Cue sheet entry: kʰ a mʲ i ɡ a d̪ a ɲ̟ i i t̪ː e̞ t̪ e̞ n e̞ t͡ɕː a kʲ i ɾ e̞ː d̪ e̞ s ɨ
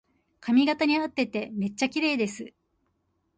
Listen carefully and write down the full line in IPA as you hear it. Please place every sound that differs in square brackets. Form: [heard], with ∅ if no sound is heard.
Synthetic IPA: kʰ a mʲ i ɡ a [t̪] a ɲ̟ i [a] t̪ː e̞ t̪ e̞ [m] e̞ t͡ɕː a kʲ i ɾ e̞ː d̪ e̞ s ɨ